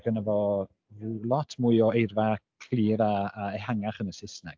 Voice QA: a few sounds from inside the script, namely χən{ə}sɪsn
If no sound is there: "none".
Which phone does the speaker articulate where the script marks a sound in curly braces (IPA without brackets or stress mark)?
ə